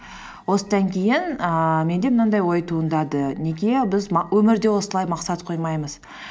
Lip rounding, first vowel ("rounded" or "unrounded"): rounded